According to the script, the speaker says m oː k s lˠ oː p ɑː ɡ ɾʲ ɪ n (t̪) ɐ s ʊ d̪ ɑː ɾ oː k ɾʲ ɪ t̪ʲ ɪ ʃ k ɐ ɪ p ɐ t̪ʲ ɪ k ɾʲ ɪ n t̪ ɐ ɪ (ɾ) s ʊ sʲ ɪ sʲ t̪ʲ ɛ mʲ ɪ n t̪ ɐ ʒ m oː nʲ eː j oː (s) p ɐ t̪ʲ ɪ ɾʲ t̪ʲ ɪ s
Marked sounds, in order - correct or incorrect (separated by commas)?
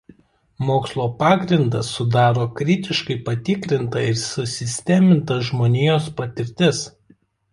incorrect, correct, correct